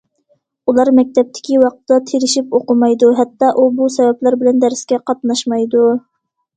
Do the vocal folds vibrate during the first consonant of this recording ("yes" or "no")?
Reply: yes